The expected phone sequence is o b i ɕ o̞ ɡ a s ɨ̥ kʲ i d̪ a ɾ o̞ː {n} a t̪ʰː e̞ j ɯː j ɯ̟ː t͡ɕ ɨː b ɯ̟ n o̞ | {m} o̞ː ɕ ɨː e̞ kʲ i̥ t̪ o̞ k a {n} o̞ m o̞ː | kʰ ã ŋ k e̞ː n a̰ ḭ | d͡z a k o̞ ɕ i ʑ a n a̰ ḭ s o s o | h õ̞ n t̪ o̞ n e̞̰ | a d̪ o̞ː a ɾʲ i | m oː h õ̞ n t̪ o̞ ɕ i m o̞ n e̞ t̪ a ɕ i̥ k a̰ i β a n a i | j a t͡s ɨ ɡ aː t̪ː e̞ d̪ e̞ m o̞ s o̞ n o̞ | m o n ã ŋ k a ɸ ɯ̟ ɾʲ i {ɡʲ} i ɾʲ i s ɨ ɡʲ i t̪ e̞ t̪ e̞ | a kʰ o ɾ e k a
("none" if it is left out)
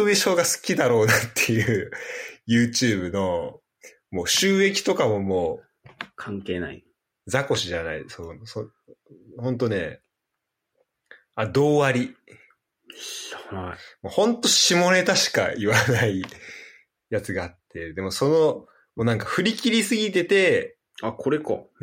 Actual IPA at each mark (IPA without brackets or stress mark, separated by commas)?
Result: n, m, m, kʲ